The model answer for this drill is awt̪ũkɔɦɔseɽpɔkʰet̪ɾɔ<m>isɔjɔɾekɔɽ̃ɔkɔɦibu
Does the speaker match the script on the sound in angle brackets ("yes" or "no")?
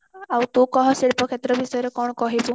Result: no